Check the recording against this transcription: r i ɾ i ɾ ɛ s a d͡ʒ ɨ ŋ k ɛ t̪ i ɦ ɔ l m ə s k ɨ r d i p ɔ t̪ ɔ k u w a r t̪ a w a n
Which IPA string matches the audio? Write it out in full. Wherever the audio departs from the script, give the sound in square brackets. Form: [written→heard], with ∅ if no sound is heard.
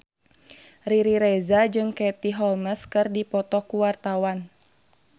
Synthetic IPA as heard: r i ɾ i ɾ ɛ [s→z] a d͡ʒ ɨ ŋ k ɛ t̪ i ɦ ɔ l m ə s k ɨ r d i p ɔ t̪ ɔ k u w a r t̪ a w a n